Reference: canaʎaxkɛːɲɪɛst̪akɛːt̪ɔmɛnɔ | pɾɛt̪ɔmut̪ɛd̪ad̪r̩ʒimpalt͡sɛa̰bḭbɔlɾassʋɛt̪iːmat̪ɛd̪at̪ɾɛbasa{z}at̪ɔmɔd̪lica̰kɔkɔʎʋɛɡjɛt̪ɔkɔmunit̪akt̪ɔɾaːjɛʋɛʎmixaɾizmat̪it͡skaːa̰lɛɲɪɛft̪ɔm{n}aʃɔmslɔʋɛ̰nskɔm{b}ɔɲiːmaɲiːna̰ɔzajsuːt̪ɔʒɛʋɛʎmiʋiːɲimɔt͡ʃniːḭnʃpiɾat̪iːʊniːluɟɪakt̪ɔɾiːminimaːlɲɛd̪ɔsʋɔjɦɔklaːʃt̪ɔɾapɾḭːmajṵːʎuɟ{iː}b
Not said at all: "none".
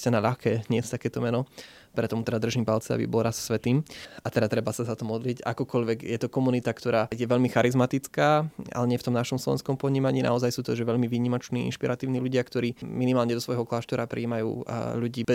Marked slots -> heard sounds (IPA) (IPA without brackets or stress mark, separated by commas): z, n, p, iː